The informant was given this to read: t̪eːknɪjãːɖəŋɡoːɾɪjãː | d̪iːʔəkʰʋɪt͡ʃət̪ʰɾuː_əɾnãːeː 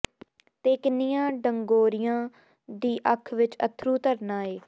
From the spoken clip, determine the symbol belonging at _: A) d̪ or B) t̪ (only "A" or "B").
B